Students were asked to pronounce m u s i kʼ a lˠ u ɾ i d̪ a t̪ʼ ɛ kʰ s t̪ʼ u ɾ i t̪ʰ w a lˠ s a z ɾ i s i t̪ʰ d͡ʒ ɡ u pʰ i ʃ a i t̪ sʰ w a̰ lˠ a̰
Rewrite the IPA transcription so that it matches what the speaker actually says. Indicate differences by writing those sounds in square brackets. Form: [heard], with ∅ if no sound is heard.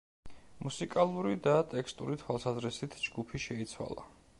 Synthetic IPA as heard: m u s i kʼ a lˠ u ɾ i d̪ a t̪ʼ ɛ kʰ s t̪ʼ u ɾ i t̪ʰ w a lˠ s a z ɾ i s i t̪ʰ d͡ʒ ɡ u pʰ i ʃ [ɛ] i t̪ sʰ w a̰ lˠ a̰